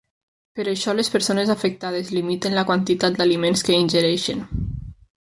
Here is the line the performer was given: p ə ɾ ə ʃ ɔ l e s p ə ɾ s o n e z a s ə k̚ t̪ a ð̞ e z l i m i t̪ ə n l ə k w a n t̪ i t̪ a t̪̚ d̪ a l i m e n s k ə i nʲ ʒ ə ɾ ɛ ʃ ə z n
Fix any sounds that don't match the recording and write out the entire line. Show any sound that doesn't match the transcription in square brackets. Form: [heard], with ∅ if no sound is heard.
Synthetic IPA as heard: p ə ɾ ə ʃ ɔ l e s p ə ɾ s o n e z a [f] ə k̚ t̪ a ð̞ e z l i m i t̪ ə n l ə k w a n t̪ i t̪ a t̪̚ d̪ a l i m e n s k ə i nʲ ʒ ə ɾ ɛ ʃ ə [∅] n